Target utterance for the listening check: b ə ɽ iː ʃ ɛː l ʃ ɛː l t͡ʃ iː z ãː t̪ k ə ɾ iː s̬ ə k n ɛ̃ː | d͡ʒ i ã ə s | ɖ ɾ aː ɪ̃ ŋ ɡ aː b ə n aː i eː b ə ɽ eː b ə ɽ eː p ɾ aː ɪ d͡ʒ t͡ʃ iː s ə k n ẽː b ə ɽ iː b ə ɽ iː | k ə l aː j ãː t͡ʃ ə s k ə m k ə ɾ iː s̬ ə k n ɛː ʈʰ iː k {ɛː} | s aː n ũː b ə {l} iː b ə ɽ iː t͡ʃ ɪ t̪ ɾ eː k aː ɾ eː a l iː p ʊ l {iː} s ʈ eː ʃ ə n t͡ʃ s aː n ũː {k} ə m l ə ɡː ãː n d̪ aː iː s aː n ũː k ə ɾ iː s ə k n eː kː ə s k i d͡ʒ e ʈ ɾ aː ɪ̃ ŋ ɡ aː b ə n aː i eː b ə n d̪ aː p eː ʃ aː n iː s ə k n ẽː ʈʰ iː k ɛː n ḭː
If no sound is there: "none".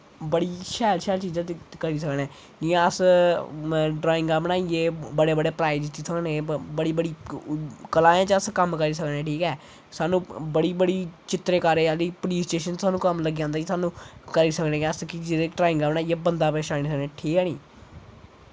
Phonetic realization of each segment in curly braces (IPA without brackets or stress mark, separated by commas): ɛː, ɽ, iː, k